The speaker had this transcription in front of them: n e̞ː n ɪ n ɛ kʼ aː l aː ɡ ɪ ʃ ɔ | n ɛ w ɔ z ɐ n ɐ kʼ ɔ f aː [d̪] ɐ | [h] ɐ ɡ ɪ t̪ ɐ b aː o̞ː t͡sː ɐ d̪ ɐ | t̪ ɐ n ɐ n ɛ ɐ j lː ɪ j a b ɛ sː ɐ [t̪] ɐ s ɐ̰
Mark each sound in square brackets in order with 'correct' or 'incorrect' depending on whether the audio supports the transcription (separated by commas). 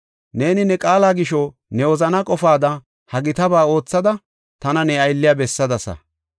correct, correct, incorrect